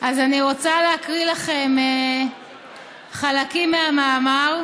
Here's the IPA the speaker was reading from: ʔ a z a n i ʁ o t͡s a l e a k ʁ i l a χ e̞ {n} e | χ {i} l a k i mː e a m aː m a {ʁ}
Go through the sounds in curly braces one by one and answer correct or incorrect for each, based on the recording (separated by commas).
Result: incorrect, incorrect, correct